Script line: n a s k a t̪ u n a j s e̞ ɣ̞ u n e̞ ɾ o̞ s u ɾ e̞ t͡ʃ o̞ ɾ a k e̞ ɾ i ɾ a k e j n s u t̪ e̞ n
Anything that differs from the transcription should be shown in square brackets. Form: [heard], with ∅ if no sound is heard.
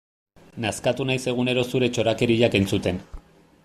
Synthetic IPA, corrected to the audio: n a s k a t̪ u n a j s e̞ ɣ̞ u n e̞ ɾ o̞ s u ɾ e̞ t͡ʃ o̞ ɾ a k e̞ ɾ i [ʎ] a k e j n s u t̪ e̞ n